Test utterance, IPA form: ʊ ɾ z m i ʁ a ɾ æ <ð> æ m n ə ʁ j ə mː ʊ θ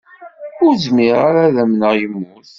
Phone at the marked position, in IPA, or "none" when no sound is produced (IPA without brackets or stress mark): ð